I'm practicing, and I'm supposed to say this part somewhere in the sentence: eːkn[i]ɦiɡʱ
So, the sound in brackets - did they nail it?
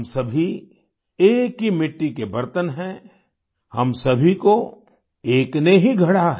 no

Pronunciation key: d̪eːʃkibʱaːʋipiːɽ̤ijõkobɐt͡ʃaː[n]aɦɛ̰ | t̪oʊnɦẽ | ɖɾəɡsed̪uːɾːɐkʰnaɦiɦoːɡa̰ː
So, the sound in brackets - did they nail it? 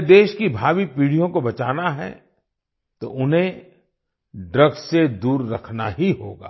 yes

